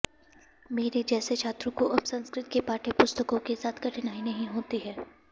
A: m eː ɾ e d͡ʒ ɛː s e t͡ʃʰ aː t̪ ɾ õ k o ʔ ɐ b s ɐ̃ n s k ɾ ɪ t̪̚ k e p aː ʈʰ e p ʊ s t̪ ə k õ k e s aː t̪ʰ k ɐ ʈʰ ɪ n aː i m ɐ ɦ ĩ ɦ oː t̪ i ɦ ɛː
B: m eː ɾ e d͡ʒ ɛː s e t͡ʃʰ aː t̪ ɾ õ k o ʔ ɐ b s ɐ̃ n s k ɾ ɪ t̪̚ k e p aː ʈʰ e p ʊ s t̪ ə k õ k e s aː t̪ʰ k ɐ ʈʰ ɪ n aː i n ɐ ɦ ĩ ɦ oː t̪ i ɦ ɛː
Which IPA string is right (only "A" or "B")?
B